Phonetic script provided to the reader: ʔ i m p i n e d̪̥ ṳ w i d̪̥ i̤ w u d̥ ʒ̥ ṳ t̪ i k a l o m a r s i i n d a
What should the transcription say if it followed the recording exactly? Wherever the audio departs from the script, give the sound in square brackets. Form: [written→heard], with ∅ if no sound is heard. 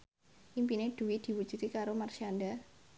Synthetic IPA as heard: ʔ i m p i n e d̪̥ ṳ w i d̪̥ i̤ w u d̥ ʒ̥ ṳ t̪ i k a [l→ɾ] o m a r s i [i→a] n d a